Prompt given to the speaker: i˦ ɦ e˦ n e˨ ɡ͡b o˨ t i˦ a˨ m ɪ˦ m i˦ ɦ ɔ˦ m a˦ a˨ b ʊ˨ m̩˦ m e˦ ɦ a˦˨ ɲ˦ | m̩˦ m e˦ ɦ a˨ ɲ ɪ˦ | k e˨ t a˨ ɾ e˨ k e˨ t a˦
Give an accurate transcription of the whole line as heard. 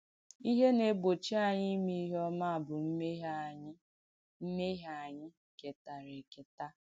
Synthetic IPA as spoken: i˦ ɦ e˦ n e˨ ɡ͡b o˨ t͡ʃ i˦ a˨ ɲ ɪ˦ m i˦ ɦ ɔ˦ m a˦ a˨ b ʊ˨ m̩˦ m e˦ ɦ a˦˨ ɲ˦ | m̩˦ m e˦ ɦ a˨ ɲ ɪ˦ | k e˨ t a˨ ɾ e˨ k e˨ t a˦